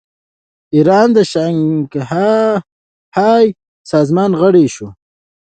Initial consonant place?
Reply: alveolar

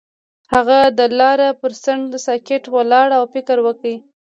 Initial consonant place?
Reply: glottal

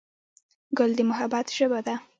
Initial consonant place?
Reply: velar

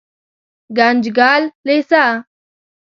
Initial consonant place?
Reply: velar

